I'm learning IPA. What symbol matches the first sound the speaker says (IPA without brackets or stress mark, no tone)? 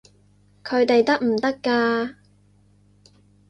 kʰ